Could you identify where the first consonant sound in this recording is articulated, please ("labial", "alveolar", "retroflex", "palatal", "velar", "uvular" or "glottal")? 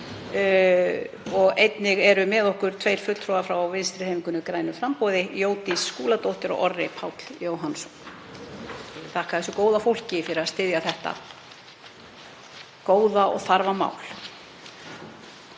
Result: velar